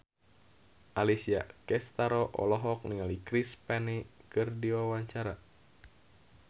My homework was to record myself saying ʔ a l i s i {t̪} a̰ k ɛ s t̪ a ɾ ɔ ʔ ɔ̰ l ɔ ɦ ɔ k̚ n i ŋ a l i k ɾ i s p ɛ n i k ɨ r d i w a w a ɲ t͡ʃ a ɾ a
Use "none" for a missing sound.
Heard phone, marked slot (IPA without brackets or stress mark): none